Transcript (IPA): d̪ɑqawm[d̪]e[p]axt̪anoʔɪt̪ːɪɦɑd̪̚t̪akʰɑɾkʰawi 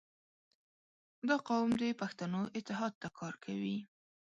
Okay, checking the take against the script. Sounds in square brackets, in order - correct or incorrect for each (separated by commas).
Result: correct, correct